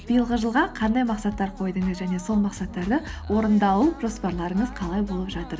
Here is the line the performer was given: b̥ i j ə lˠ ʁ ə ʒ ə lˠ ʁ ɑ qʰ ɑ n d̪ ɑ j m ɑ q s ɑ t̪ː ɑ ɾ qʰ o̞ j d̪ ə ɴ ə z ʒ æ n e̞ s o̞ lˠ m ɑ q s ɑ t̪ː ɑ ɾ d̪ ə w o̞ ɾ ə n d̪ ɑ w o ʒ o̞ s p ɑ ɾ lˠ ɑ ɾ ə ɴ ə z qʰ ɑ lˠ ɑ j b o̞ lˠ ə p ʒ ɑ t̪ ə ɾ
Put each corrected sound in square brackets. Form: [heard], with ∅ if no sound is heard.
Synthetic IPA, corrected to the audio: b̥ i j ə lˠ ʁ ə ʒ ə lˠ ʁ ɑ qʰ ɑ n d̪ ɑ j m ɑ q s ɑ t̪ː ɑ ɾ qʰ o̞ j d̪ ə ɴ ə z ʒ æ n e̞ s o̞ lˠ m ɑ q s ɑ t̪ː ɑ ɾ d̪ ə w o̞ ɾ ə n d̪ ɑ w [u] ʒ o̞ s p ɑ ɾ lˠ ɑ ɾ ə ɴ ə z qʰ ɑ lˠ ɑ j b o̞ lˠ ə p ʒ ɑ t̪ ə ɾ